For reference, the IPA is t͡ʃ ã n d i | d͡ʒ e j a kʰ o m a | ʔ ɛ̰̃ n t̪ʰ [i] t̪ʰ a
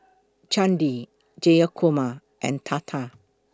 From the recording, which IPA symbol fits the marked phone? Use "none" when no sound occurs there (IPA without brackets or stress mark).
a